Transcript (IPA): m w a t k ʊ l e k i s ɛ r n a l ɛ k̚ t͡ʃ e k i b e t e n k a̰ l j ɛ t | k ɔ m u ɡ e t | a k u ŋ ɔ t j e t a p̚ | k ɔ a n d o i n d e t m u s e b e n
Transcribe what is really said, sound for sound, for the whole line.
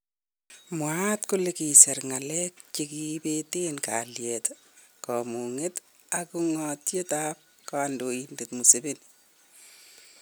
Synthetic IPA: m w a t k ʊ l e k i s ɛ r ŋ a l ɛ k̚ t͡ʃ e k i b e t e n k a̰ l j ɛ t | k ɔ m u ŋ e t | a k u ŋ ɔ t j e t a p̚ | k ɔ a n d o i n d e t m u s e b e n

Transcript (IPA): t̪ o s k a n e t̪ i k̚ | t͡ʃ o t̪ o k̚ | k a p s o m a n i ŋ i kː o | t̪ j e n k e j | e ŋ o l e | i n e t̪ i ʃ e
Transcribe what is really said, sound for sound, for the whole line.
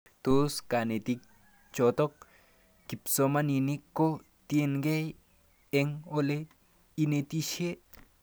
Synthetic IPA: t̪ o s k a n e t̪ i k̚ | t͡ʃ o t̪ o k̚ | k i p s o m a n i n i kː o | t̪ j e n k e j | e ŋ o l e | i n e t̪ i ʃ e

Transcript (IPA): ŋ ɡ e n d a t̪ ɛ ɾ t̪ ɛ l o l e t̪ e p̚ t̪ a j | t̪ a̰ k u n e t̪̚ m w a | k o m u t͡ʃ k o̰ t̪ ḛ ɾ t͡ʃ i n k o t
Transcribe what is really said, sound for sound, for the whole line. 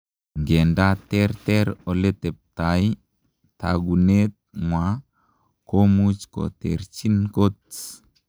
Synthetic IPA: ŋ ɡ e n d a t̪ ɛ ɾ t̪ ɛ ɾ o l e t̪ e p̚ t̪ a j | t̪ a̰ ɡ u n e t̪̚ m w a | k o m u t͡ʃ k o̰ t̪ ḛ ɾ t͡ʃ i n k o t

